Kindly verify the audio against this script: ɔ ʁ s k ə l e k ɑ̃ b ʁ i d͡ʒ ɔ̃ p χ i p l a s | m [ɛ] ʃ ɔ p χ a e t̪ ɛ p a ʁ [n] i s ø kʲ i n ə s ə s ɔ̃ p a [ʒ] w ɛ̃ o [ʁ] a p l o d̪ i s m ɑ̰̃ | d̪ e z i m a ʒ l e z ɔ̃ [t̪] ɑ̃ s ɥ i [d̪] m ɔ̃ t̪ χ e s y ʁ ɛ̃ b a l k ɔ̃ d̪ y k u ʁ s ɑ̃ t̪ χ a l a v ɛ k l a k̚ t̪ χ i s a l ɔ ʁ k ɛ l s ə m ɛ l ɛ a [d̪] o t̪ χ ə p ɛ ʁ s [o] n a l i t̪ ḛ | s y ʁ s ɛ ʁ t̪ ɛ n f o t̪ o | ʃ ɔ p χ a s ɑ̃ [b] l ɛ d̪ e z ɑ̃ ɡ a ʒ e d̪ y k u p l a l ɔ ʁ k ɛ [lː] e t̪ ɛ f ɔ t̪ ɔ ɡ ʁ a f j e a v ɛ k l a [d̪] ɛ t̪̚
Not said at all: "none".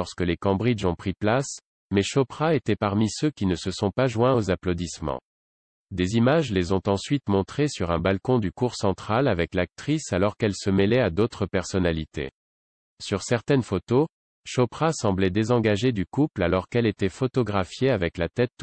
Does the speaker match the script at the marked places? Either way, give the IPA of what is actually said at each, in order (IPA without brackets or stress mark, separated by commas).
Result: ɛ, m, ʒ, z, t̪, t̪, d̪, ɔ, b, l, t̪